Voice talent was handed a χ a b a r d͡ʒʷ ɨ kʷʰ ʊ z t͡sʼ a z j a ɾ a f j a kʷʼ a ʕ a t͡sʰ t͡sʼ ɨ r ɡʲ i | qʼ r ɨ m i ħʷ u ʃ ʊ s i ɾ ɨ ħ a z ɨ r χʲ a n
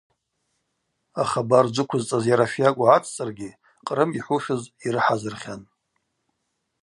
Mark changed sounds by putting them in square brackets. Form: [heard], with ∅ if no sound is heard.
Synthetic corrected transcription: a χ a b a r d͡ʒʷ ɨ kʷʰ ʊ z t͡sʼ a z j a ɾ a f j a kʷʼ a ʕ a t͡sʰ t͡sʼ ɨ r ɡʲ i | qʼ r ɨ m i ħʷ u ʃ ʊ [z] i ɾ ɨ ħ a z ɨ r χʲ a n